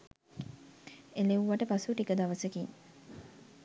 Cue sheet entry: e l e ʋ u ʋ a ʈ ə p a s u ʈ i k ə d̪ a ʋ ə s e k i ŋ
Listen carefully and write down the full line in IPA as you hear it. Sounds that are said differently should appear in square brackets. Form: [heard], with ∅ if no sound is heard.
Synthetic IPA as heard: e l e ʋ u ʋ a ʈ ə p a s u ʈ i k ə d̪ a ʋ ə s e k i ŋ